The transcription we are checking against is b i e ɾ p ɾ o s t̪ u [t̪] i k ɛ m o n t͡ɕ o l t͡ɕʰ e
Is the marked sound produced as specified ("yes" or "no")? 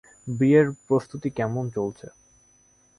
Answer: yes